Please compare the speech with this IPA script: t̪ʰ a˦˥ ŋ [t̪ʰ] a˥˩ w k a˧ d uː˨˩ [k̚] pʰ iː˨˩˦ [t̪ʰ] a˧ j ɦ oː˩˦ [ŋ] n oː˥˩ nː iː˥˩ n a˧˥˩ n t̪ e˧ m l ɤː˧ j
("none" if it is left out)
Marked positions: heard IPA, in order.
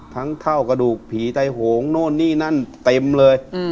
t̪ʰ, k̚, t̪, ŋ

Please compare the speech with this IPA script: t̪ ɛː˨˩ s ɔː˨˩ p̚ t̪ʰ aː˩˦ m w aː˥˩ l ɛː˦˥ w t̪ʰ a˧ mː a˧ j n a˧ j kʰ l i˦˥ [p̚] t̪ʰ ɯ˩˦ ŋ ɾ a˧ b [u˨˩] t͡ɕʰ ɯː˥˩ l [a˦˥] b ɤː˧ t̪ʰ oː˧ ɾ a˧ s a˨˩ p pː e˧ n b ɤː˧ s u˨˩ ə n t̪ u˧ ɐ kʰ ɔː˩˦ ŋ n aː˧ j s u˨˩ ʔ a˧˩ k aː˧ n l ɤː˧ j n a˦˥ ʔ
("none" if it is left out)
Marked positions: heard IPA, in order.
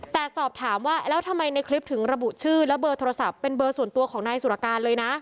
p̚, u˨˩, ɛ˦˥

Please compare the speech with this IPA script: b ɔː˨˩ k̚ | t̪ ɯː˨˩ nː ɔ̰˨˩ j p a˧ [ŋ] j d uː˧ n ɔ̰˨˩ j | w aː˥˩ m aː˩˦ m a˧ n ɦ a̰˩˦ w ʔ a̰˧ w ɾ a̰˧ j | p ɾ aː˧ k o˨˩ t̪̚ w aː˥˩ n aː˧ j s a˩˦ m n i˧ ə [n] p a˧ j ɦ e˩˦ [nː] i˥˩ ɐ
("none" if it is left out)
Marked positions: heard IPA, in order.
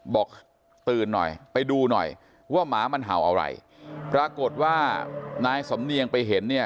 none, ŋ, nː

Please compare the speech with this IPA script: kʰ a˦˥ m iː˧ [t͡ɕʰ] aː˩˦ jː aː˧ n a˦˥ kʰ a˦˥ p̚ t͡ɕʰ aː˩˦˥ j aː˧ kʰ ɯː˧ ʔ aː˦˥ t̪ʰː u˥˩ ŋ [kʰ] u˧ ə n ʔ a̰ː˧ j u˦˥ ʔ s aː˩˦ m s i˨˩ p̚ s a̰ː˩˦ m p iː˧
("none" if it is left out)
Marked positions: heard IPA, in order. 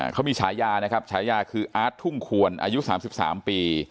t͡ɕʰ, kʰ

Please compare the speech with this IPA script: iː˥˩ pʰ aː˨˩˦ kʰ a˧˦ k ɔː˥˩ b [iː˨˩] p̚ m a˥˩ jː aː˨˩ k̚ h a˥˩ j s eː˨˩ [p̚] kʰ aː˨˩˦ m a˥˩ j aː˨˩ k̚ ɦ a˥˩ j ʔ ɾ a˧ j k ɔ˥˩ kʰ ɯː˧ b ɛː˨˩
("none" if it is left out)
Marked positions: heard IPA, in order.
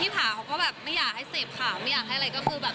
ɛː˨˩, p̚

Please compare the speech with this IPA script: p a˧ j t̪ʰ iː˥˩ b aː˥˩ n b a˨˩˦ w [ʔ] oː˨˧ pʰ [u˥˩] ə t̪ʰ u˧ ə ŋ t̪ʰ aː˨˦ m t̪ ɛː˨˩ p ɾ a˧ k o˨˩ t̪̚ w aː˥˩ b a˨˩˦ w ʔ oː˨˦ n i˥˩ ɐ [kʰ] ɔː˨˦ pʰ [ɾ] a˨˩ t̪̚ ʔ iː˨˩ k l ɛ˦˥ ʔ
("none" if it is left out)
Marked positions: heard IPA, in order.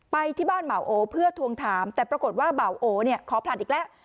ʔ, ɯ˥˩, kʰ, l

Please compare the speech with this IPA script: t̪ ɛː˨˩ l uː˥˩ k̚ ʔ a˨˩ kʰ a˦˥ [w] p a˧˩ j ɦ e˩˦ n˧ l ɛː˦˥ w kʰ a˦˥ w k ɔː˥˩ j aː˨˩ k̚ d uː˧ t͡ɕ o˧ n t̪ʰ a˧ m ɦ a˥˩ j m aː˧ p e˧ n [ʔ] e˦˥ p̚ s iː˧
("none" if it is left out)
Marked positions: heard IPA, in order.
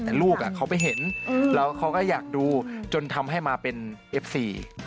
w, ʔ

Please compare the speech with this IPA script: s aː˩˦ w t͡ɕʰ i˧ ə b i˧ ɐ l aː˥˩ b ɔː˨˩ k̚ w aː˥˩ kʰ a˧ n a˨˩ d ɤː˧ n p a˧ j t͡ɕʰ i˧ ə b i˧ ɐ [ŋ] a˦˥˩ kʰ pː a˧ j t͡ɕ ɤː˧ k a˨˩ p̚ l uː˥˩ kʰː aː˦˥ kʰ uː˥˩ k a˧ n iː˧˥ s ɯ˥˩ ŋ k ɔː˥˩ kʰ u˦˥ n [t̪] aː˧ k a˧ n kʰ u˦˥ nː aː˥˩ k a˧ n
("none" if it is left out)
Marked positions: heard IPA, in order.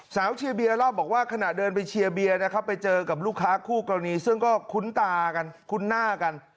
n, t̪

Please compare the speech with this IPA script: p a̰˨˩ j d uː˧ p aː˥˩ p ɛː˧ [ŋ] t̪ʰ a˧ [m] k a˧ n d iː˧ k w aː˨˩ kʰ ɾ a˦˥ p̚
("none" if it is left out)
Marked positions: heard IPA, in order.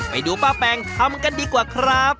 ŋ, m

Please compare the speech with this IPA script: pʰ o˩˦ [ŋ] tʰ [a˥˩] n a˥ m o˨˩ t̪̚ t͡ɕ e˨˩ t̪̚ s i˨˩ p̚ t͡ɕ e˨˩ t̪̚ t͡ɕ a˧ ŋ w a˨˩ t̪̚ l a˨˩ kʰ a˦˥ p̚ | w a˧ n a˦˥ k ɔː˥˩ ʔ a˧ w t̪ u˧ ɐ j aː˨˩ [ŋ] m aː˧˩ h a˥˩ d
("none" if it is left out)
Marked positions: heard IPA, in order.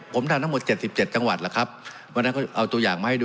m, a˧, ŋ

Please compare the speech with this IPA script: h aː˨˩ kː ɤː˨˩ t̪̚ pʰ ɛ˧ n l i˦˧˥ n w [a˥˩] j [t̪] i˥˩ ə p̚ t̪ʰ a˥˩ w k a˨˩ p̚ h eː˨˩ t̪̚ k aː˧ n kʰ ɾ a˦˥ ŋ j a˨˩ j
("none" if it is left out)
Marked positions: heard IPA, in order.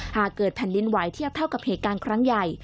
a˩˦, t̪ʰ

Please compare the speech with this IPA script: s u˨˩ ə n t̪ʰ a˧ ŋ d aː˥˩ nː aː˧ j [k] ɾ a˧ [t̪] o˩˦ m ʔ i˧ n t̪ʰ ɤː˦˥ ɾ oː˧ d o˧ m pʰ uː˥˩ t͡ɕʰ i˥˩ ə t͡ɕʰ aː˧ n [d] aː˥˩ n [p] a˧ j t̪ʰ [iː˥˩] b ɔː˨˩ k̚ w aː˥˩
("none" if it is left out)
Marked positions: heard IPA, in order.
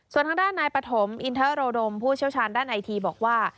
p, t̪ʰ, d, ʔ, iː˧

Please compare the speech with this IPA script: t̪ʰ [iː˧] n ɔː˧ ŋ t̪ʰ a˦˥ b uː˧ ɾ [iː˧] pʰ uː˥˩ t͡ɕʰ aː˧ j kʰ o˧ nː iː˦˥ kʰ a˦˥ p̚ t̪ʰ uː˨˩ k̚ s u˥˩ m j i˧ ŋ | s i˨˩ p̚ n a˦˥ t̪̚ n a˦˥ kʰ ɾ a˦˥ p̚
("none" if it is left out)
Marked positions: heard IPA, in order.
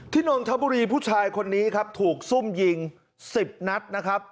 iː˥˩, iː˧

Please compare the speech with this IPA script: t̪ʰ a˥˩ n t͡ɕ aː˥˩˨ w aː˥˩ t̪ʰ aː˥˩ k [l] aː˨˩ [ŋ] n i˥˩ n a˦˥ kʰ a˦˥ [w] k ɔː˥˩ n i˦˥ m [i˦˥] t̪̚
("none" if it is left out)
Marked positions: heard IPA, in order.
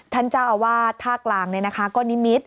l, ŋ, none, i˦˥

